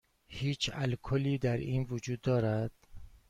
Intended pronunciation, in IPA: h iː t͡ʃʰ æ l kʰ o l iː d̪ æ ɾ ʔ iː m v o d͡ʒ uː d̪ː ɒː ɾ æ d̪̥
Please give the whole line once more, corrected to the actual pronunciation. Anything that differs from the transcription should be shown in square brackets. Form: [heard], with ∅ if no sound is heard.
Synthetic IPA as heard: h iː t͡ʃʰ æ l kʰ o l iː d̪ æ ɾ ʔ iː [n] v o d͡ʒ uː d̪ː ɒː ɾ æ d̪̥